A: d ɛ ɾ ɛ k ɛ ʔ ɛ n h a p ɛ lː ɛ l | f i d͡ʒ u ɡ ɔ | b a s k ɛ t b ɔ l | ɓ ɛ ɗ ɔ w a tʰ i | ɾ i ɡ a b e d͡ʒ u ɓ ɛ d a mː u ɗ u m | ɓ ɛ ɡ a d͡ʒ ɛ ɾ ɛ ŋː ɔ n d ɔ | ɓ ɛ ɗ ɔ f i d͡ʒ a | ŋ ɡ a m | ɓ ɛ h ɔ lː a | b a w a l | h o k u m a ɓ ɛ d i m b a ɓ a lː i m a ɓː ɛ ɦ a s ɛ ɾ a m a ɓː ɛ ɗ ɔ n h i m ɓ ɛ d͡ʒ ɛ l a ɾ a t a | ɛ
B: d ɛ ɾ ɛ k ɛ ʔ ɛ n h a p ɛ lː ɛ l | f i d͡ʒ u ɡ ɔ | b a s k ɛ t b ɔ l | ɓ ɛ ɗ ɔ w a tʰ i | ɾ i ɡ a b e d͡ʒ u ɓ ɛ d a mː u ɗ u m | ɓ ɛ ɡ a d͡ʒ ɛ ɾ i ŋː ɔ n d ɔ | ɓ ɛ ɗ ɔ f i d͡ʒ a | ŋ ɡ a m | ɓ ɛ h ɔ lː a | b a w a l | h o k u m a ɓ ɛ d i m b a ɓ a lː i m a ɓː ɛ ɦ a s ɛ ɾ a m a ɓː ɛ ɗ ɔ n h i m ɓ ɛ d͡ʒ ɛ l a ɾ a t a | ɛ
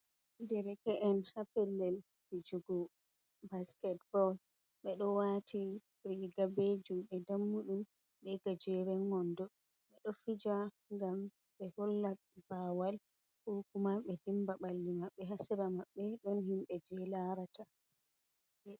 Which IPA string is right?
A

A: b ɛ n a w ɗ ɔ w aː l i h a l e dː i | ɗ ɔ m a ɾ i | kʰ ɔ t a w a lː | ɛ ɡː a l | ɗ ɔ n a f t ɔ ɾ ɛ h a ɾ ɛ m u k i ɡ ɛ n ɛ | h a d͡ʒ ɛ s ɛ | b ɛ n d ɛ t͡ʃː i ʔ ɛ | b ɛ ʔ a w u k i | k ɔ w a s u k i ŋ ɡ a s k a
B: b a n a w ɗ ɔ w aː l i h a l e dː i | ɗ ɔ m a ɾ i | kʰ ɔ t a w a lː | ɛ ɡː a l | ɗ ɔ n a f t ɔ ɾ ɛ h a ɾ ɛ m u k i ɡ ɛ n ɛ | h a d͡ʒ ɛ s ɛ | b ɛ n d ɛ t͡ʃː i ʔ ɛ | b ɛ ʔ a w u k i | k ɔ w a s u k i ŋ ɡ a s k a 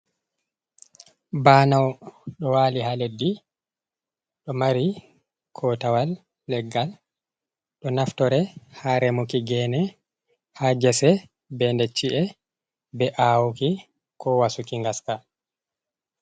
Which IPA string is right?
B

